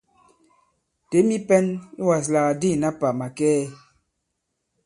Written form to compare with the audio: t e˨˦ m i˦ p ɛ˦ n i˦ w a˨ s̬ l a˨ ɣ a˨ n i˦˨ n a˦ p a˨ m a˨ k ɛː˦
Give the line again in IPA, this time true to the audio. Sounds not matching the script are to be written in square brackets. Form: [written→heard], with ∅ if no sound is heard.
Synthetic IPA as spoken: t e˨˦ m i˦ p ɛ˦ n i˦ w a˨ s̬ l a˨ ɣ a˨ [n→d] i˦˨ n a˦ p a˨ m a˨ k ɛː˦